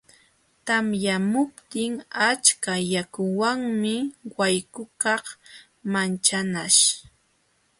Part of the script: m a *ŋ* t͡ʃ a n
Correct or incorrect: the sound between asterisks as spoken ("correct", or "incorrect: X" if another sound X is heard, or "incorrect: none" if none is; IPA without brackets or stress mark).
incorrect: n